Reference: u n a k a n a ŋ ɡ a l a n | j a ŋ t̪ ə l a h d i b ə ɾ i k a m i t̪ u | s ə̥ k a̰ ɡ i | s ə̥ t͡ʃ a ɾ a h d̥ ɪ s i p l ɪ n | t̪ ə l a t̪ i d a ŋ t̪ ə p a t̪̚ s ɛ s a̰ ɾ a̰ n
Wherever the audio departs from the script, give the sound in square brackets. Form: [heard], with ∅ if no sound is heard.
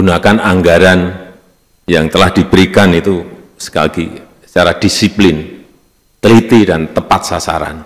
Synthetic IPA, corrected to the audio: u n a k a n a ŋ ɡ a [ɾ] a n | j a ŋ t̪ ə l a h d i b ə ɾ i k a [n] i t̪ u | s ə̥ k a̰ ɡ i | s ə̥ t͡ʃ a ɾ a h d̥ [i] s i p l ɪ n | t̪ ə l [i] t̪ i d a [n] t̪ ə p a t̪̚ s [a] s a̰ ɾ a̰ n